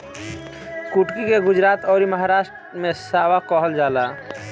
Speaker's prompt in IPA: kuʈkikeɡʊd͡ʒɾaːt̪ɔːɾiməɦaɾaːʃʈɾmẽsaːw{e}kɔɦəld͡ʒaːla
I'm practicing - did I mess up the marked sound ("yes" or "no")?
yes